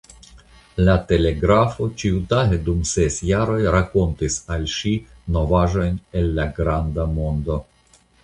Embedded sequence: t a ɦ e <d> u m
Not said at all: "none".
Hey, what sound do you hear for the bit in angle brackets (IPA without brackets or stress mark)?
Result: d